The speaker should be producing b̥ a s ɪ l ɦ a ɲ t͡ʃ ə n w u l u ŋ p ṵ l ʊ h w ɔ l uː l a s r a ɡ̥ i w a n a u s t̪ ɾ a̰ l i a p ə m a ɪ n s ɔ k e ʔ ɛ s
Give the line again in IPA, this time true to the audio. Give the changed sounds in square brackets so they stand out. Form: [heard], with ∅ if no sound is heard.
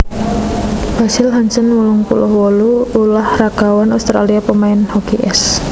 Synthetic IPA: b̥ a s ɪ l ɦ a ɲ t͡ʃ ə n w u l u ŋ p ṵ l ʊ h w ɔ l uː l a [h] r a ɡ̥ [a] w a n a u s t̪ ɾ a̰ l i a p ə m a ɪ n [h] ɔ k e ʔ ɛ s